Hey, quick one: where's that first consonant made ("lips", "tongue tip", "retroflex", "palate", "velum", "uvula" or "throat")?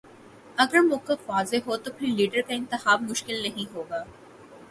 velum